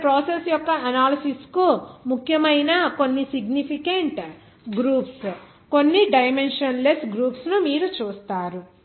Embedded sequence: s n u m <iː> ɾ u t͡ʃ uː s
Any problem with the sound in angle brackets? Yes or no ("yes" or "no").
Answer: no